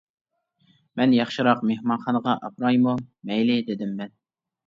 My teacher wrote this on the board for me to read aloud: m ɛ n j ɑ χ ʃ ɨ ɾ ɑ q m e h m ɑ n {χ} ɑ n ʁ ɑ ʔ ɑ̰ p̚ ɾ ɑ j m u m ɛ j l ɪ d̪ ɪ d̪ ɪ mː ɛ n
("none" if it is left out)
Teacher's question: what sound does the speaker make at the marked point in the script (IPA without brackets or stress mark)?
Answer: χ